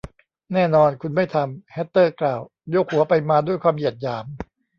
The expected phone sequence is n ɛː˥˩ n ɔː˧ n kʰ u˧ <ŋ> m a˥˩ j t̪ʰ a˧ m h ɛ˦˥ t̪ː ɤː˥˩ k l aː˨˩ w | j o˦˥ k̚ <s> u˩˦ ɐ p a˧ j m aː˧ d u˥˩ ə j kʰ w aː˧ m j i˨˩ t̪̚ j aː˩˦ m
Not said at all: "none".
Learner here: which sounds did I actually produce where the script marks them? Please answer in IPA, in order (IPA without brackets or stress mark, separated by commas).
n, h